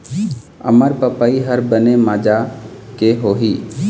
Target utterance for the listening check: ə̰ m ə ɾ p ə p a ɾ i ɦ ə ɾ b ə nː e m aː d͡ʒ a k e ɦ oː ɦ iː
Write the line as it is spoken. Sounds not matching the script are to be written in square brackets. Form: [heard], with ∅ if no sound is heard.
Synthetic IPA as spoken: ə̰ m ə ɾ p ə p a [∅] i ɦ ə ɾ b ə [n] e m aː d͡ʒ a k e ɦ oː ɦ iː